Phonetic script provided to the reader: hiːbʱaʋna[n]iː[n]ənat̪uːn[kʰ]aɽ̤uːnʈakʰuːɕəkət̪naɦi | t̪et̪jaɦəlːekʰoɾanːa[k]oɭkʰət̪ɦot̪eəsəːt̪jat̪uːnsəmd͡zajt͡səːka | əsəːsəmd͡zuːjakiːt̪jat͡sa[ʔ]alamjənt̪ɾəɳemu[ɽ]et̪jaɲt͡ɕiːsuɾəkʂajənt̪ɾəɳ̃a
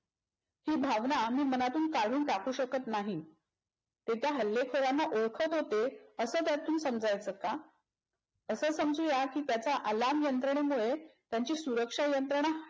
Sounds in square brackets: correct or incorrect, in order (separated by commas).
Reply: incorrect, incorrect, incorrect, incorrect, correct, incorrect